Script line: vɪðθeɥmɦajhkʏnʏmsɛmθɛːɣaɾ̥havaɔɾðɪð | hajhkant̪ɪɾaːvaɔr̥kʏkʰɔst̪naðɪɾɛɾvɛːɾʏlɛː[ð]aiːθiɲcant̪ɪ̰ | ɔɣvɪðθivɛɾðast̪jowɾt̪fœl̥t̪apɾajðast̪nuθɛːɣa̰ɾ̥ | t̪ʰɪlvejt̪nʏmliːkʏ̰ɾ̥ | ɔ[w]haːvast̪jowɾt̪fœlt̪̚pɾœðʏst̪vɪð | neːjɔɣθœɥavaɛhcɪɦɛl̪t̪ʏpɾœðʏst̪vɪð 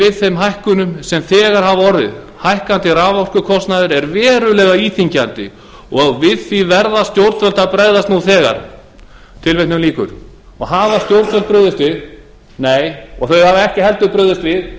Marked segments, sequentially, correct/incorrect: incorrect, incorrect

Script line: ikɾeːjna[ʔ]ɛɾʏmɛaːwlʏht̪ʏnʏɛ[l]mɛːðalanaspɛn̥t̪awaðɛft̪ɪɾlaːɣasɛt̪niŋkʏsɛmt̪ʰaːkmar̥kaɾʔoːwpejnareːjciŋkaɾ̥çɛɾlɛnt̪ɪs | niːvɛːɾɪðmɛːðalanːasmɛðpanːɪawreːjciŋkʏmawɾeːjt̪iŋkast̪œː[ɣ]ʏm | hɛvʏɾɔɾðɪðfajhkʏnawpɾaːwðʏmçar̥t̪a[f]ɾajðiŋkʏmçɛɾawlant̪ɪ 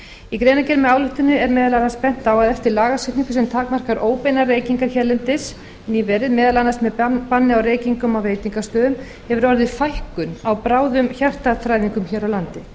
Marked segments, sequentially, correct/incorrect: incorrect, incorrect, incorrect, incorrect

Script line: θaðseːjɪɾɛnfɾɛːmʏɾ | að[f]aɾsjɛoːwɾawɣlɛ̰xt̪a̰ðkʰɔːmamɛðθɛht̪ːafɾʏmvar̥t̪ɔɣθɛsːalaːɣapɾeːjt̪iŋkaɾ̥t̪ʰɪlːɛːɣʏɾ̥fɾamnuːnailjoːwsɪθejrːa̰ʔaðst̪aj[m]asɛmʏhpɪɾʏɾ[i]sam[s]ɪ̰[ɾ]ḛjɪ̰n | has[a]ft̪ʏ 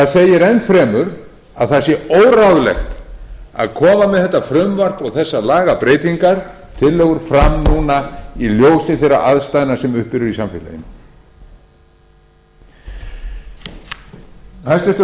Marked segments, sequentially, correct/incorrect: incorrect, incorrect, correct, incorrect, incorrect, incorrect

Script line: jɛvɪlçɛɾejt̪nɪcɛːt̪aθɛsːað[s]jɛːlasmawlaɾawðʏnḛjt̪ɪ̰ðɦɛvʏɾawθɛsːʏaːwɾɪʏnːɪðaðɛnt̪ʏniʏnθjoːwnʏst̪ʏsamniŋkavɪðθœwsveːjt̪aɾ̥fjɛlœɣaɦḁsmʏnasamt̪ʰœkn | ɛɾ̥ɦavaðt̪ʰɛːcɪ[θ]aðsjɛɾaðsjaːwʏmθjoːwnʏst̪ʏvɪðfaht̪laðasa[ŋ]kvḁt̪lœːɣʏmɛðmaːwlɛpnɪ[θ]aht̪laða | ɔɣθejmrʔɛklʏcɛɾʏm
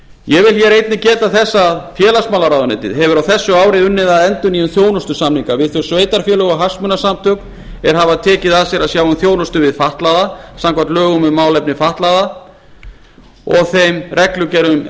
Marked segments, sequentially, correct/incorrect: incorrect, incorrect, incorrect, incorrect

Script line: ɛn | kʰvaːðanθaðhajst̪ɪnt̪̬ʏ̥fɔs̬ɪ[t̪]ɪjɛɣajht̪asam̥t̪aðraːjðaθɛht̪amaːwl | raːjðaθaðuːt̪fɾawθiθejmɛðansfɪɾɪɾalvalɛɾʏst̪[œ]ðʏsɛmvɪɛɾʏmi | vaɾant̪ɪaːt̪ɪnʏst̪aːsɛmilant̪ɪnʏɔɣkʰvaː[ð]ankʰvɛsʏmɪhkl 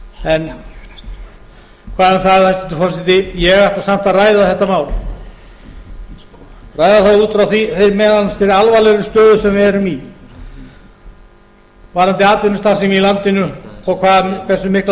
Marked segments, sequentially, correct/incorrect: correct, incorrect, correct

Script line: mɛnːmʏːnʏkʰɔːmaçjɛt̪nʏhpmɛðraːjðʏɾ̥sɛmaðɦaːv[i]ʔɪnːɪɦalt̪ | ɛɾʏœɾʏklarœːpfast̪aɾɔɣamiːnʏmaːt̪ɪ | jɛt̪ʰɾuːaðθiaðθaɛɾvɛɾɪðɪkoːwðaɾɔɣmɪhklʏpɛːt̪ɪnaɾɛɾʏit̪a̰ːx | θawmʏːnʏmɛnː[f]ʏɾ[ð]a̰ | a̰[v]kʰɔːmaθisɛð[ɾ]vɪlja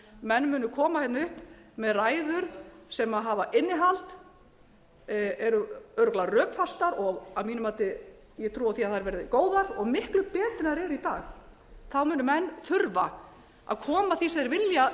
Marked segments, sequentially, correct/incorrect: incorrect, incorrect, incorrect, incorrect, correct

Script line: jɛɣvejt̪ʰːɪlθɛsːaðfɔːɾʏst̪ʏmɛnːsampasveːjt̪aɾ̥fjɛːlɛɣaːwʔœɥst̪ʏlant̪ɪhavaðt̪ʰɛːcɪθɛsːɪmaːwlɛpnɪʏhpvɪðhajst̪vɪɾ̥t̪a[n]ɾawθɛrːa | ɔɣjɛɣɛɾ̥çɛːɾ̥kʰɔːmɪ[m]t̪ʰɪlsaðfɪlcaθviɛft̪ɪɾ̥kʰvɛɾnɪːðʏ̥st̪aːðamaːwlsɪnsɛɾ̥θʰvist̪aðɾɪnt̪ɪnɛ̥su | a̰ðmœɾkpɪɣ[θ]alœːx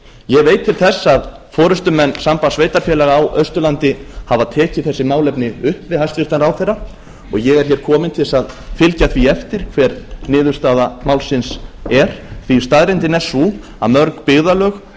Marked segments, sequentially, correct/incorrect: correct, incorrect, incorrect

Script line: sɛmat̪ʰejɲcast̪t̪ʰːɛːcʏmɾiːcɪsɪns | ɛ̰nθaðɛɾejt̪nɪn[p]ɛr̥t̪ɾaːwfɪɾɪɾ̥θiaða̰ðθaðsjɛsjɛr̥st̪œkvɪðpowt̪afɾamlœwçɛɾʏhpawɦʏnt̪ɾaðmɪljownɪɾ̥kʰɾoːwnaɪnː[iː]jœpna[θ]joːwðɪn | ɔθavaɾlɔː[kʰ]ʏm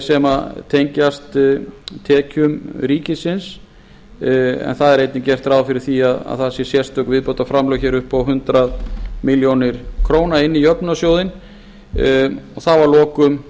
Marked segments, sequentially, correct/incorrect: incorrect, incorrect, incorrect, incorrect

